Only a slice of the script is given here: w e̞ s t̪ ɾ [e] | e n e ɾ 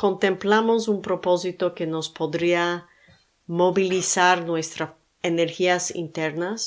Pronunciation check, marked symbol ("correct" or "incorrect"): incorrect